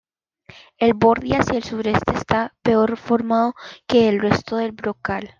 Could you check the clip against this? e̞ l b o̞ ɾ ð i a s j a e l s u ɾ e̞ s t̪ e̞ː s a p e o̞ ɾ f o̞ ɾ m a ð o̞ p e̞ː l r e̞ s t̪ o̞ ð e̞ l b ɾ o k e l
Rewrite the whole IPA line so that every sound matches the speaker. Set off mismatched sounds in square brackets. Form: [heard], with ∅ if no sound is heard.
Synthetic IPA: e̞ l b o̞ ɾ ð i a s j a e l s u ɾ e̞ s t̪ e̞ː s a p e o̞ ɾ f o̞ ɾ m a ð o̞ [k] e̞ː l r e̞ s t̪ o̞ ð e̞ l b ɾ o k [a] l